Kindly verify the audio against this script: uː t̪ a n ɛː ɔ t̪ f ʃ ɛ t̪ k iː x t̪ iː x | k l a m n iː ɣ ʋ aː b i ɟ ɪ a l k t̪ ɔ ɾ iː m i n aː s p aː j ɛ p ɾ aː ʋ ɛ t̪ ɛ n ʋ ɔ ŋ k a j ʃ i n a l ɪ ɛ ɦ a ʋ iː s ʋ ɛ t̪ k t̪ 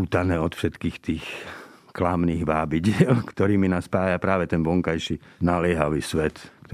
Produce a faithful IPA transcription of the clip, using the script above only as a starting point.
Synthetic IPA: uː t̪ a n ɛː ɔ t̪ f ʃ ɛ t̪ k iː x t̪ iː x | k l a m n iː ɣ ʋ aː b i ɟ ɪ ɛ l k t̪ ɔ ɾ iː m i n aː s p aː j a p ɾ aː ʋ ɛ t̪ ɛ n ʋ ɔ ŋ k a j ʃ i n a l ɪ ɛ ɦ a ʋ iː s ʋ ɛ t̪ k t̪